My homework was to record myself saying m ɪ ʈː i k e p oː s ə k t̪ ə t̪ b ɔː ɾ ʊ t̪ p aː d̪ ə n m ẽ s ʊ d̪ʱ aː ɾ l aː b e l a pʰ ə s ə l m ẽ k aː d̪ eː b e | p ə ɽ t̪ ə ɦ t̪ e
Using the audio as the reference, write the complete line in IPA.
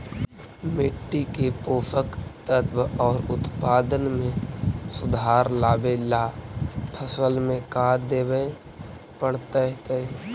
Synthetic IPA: m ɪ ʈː i k e p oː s ə k t̪ ə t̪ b ɔː ɾ ʊ t̪ p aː d̪ ə n m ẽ s ʊ d̪ʱ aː ɾ l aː b e l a pʰ ə s ə l m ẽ k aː d̪ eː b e | p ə ɽ t̪ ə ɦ t̪ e